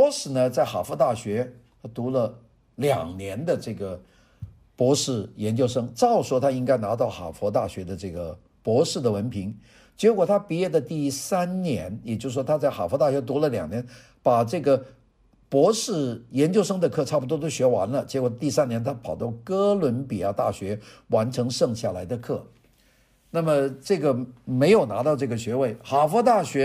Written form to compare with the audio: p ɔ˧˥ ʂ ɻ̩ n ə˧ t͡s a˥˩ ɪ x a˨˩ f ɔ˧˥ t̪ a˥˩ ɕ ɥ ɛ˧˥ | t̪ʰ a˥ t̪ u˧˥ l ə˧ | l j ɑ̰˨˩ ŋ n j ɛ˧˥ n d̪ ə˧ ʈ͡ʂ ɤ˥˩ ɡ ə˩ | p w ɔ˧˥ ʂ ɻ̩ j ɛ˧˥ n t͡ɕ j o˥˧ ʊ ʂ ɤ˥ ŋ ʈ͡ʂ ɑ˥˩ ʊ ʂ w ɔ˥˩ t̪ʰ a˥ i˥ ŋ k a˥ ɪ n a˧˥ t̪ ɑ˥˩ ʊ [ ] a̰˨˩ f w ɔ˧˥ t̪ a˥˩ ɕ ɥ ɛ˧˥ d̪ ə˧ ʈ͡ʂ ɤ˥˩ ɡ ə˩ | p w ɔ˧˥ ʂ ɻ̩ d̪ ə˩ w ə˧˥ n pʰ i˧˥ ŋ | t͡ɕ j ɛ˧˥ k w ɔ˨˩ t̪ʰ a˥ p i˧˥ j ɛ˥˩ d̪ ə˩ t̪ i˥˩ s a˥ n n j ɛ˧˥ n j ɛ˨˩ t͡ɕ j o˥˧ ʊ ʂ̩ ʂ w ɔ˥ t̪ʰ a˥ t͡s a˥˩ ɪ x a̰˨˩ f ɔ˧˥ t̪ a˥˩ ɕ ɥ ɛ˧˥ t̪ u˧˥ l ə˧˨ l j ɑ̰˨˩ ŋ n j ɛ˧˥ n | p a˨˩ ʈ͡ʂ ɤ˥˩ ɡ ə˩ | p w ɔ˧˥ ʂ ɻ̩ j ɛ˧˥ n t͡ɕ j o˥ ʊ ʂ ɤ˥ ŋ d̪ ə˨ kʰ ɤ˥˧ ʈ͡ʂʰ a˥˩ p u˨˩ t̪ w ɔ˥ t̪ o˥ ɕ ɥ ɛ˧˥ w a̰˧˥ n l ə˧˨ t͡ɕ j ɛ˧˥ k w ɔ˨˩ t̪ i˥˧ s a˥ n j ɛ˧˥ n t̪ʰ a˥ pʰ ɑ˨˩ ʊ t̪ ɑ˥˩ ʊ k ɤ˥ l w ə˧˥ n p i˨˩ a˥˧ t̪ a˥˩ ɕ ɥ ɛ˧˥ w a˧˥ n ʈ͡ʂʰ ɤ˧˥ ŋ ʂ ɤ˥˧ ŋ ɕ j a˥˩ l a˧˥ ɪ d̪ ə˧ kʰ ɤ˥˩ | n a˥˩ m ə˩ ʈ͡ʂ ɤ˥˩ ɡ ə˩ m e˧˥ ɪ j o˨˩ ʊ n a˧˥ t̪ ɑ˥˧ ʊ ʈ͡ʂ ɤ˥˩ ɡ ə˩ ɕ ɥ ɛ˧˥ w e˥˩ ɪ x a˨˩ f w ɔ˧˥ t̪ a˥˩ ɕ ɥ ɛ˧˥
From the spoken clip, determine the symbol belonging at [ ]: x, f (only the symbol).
x